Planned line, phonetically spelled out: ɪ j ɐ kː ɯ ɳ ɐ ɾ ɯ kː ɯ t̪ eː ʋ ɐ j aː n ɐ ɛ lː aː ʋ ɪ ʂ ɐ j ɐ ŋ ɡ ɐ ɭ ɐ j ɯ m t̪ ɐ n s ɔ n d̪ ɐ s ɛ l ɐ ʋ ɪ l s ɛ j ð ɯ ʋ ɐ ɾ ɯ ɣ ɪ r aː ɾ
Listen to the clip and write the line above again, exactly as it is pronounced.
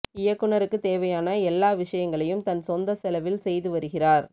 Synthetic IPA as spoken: ɪ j ɐ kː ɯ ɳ ɐ ɾ ɯ kː ɯ t̪ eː ʋ ɐ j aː n ɐ ɛ lː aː ʋ ɪ ʂ ɐ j ɐ ŋ ɡ ɐ ɭ ɐ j ɯ m t̪ ɐ n s ɔ n d̪ ɐ s ɛ l ɐ ʋ ɪ l s ɛ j ð ɯ ʋ ɐ ɾ ɯ ɣ ɪ r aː ɾ